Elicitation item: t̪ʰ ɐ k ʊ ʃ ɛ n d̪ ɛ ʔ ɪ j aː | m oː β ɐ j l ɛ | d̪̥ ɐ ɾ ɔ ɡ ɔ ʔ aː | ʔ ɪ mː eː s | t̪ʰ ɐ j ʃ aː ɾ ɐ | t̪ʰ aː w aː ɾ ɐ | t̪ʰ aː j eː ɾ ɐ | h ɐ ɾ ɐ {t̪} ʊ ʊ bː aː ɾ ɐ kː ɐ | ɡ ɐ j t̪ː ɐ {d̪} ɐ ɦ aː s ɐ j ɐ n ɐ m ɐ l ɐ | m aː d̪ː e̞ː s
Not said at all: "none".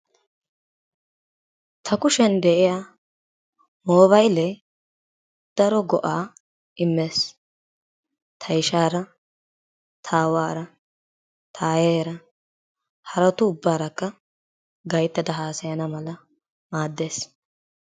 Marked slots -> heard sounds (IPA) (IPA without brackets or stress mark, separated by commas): t̪, d̪